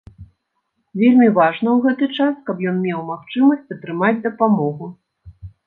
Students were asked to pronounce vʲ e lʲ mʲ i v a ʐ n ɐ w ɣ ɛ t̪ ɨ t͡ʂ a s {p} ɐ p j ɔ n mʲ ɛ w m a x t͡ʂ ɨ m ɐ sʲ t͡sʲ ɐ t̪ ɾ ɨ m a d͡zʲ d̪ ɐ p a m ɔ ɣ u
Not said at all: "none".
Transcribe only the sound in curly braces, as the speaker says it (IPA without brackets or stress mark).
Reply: k